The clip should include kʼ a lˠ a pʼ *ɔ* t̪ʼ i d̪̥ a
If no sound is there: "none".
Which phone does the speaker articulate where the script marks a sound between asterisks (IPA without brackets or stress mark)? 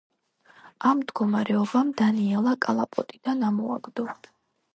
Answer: ɔ